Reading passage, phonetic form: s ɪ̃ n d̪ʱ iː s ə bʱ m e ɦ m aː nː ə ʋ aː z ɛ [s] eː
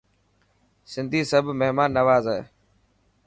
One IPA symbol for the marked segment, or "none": none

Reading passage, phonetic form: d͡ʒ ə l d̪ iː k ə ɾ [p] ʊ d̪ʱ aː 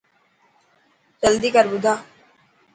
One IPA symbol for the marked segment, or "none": b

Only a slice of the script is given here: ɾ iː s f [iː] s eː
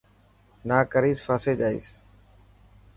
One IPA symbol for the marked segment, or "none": aː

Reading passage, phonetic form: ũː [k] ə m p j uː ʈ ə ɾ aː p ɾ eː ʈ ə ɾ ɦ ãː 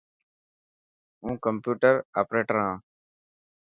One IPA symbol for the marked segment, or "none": k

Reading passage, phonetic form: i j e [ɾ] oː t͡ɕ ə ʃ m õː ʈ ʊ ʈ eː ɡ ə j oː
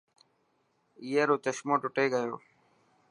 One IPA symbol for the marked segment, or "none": ɾ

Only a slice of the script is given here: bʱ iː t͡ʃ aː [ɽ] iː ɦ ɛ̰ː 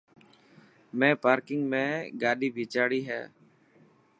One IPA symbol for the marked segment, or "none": ɽ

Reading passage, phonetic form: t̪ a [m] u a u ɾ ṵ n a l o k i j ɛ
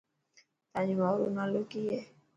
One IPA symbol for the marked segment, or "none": ɲ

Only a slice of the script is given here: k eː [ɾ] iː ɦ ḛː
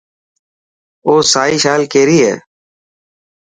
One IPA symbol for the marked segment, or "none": ɾ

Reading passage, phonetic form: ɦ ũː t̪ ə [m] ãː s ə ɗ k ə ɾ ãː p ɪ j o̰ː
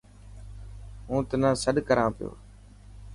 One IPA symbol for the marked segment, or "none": n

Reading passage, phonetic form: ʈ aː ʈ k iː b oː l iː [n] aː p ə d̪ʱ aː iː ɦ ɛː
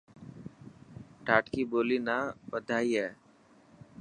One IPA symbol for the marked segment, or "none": n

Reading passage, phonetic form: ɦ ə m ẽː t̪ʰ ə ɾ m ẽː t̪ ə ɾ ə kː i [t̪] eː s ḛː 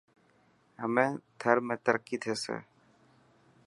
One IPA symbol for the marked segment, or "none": t̪ʰ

